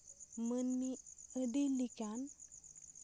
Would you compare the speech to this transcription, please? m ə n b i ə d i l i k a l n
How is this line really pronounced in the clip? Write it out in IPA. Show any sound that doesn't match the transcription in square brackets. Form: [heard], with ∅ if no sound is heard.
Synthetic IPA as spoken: m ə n [m] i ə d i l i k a [∅] n

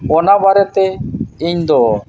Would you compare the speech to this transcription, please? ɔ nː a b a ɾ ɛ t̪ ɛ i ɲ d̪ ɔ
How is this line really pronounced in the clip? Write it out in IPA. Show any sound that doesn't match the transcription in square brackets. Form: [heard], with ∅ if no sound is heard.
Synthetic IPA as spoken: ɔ [n] a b a ɾ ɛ t̪ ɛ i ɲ d̪ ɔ

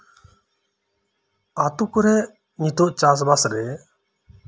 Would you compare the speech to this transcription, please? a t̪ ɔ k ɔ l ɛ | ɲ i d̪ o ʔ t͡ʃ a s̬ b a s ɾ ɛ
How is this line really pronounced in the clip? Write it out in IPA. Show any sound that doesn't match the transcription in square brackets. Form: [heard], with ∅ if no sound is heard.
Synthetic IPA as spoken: a t̪ [u] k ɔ [ɾ] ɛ | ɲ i [t̪] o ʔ t͡ʃ a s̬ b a s ɾ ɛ

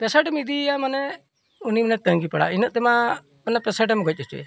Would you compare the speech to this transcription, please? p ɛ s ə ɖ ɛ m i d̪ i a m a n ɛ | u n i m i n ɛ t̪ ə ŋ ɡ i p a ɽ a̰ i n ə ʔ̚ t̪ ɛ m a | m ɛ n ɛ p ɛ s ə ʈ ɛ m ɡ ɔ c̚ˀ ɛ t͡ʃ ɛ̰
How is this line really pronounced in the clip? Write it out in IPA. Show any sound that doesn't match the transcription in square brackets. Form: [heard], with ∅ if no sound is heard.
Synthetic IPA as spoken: p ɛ s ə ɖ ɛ m i d̪ i a m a n ɛ | u n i m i n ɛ t̪ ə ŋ ɡ i p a ɽ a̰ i n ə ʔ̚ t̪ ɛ m a | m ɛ n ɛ p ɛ s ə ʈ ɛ m ɡ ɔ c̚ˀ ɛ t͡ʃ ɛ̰

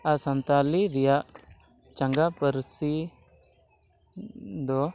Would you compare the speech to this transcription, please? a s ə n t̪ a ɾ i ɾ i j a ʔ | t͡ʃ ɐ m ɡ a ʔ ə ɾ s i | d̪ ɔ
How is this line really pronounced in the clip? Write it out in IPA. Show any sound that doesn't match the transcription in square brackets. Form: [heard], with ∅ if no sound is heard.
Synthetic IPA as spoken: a s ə n t̪ a [l] i ɾ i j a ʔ | t͡ʃ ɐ [ŋ] ɡ a [p] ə ɾ s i | d̪ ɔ

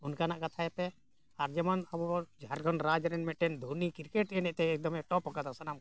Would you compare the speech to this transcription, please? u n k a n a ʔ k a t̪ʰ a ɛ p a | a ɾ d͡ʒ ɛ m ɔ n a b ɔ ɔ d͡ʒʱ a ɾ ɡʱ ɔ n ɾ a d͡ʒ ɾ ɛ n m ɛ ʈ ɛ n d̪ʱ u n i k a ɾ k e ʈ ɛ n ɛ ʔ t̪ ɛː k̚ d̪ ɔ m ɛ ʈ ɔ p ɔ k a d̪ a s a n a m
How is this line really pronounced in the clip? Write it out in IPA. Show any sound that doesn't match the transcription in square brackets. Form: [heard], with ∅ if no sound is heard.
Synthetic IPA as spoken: u n k a n a ʔ k a t̪ʰ a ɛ p [ɛ] | a ɾ d͡ʒ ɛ m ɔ n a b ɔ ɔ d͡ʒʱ a ɾ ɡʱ ɔ n ɾ a d͡ʒ ɾ ɛ n m ɛ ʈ ɛ n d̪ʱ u n i k [i] ɾ k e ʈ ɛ n ɛ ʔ t̪ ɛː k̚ d̪ ɔ m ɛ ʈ ɔ p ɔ k a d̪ a s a n a m

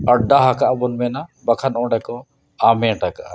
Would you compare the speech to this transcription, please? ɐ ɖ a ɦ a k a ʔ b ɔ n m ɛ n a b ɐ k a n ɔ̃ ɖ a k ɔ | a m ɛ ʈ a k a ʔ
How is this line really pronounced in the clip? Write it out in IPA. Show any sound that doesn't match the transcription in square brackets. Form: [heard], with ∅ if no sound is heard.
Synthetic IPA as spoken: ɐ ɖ a ɦ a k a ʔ b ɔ n m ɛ n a b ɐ [kʰ] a n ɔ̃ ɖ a k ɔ | a m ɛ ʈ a k a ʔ

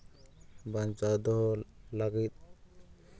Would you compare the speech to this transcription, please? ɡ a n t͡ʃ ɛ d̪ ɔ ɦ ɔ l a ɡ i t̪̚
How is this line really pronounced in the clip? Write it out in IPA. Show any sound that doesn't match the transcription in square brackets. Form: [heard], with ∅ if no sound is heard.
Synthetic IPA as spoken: [b] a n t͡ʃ [a] d̪ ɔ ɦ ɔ l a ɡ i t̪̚

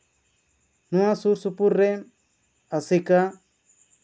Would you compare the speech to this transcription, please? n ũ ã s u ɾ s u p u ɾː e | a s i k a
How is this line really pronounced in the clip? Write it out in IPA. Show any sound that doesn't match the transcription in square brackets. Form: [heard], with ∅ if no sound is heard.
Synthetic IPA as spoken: n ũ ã s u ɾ s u p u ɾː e | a s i k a

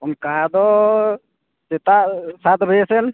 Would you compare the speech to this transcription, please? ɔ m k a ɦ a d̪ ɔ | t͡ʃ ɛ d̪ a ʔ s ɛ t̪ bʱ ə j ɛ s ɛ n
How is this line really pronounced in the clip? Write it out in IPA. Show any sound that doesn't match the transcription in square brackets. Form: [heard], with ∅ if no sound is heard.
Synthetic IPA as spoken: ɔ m k a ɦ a d̪ ɔ | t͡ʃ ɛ [t̪] a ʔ s [a] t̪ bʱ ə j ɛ s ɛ n

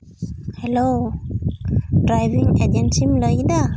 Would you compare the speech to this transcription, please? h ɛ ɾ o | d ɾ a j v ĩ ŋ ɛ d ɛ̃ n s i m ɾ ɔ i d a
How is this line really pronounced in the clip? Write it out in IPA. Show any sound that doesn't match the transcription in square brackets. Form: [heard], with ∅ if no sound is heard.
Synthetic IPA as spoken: h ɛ [l] o | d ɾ a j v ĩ ŋ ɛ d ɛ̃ n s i m [l] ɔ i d a

